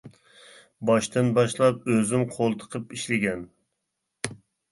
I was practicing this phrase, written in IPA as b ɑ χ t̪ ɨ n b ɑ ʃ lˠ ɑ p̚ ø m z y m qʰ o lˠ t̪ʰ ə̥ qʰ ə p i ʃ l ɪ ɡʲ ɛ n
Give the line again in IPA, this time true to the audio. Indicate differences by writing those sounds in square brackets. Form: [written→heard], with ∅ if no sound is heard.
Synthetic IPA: b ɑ [χ→ʃ] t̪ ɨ n b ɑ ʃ lˠ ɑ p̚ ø [m→∅] z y m qʰ o lˠ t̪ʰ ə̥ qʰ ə p i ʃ l ɪ ɡʲ ɛ n